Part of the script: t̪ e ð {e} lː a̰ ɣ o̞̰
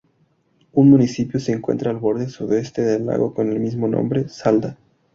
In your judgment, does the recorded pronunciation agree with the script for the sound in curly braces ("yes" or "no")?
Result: yes